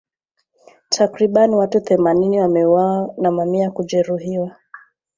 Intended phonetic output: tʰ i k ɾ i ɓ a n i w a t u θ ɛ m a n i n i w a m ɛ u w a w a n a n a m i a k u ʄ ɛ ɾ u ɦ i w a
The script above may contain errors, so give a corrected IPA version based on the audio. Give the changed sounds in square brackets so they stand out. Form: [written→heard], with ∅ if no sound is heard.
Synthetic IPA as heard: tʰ [i→a] k ɾ i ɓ a n i w a t u θ ɛ m a n i n i w a m ɛ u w a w a n a [n→m] a m i a k u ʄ ɛ ɾ u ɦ i w a